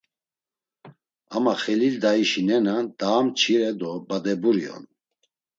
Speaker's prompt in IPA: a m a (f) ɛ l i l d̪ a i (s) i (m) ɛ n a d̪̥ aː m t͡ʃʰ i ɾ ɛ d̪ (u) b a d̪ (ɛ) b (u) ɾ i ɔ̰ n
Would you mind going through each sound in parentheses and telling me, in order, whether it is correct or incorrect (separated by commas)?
incorrect, incorrect, incorrect, incorrect, correct, correct